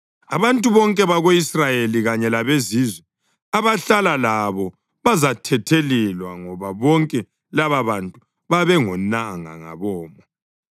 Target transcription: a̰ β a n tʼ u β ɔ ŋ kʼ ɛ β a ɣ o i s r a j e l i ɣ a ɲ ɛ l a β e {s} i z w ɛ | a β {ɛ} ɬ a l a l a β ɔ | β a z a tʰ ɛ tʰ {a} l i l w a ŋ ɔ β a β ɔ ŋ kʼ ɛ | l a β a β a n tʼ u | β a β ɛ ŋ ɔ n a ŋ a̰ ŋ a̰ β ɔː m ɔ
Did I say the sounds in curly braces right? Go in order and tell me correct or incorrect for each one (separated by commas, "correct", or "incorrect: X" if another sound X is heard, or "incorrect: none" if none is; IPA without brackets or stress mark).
incorrect: z, incorrect: a, incorrect: e